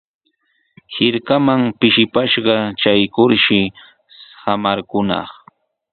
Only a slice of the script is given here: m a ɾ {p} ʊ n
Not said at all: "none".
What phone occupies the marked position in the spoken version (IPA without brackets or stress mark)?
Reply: k